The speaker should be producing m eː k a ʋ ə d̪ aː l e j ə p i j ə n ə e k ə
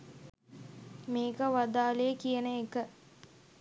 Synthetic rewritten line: m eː k ə ʋ a d̪ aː l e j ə k i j ə n ə e k ə